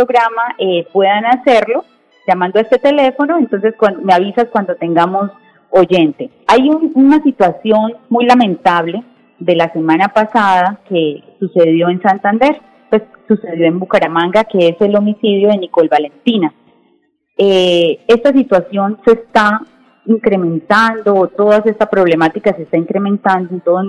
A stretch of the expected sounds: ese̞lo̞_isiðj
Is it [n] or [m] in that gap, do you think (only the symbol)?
m